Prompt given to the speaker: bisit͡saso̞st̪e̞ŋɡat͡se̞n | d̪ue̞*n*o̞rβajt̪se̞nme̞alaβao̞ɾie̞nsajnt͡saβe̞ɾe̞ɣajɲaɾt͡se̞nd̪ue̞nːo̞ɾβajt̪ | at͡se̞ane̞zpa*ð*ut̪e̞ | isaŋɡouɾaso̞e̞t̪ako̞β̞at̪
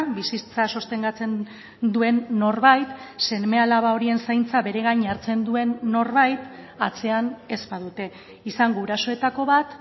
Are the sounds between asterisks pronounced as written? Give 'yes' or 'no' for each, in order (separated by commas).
no, yes